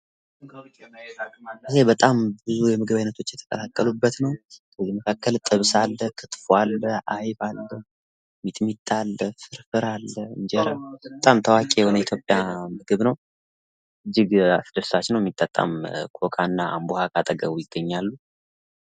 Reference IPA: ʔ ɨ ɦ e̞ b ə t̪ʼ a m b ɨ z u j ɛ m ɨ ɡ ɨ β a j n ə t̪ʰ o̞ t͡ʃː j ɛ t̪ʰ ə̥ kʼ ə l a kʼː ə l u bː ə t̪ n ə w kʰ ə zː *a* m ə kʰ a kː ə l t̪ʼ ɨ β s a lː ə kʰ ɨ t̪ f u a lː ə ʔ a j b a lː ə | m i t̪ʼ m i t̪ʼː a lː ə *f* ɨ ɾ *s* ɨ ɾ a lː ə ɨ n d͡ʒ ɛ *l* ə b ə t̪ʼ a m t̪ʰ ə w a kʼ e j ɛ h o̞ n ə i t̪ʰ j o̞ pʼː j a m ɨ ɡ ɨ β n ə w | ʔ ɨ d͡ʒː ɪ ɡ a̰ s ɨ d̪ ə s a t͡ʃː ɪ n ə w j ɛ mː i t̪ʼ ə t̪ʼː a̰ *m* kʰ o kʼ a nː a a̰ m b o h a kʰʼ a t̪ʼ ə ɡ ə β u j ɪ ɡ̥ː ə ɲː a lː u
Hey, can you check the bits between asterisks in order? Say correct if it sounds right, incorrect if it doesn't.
incorrect, correct, incorrect, incorrect, correct

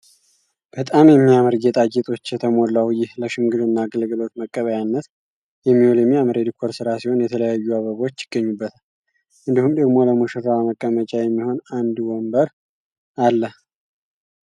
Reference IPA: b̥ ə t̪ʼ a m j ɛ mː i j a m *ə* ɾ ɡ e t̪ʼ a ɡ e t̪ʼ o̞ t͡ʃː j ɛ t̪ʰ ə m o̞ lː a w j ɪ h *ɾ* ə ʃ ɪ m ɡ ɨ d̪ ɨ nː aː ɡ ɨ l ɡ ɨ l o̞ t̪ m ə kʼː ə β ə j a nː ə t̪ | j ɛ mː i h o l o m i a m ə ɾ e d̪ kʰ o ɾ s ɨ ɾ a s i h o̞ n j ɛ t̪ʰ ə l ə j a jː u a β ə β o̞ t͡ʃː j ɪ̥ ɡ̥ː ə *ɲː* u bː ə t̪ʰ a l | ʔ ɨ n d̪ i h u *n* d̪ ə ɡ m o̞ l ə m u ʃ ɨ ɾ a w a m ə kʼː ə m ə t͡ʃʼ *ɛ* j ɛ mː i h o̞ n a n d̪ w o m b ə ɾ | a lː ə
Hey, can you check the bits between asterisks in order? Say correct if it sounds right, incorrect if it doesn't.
correct, incorrect, correct, incorrect, incorrect

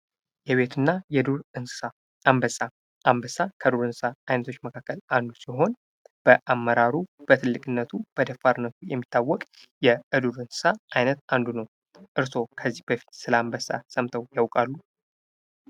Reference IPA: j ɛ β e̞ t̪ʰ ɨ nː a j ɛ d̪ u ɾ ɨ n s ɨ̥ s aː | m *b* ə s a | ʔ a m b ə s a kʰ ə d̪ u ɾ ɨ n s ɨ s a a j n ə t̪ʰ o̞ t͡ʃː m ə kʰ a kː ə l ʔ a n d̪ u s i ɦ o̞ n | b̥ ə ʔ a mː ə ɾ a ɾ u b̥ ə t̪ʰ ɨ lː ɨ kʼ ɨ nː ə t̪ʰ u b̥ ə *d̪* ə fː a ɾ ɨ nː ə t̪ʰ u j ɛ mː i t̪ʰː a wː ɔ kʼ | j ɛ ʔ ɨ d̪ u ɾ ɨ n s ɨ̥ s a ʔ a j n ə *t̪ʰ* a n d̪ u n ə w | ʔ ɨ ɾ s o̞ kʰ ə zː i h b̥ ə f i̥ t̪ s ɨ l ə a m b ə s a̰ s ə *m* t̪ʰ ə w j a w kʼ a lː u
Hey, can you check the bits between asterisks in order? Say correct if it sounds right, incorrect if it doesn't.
correct, correct, incorrect, correct

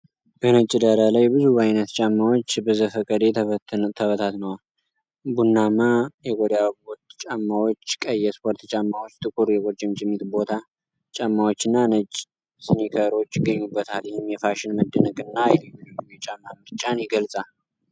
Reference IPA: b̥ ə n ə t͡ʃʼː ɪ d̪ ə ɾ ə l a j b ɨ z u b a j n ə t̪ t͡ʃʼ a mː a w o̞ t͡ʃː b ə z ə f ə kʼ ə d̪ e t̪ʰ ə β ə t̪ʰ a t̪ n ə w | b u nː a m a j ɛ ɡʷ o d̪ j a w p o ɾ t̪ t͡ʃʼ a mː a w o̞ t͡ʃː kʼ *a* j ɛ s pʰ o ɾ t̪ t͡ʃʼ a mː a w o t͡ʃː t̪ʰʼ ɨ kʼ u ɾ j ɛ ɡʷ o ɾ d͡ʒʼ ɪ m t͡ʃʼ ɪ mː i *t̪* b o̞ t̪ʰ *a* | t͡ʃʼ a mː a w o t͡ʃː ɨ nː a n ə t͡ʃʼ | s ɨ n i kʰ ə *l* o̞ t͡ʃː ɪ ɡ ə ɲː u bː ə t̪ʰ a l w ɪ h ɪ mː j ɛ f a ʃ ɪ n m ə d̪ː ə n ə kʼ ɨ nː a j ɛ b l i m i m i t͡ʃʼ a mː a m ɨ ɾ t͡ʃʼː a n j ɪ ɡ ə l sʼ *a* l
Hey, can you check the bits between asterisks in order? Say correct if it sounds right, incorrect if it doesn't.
incorrect, correct, correct, incorrect, correct

